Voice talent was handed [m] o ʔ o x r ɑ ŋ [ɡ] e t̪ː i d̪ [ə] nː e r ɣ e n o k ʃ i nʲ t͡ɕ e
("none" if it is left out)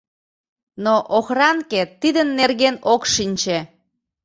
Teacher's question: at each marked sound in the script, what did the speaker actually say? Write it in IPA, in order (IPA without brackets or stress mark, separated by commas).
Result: n, k, ə